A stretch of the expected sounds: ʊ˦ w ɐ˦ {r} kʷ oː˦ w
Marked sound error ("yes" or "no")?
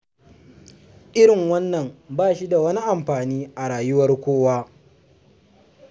no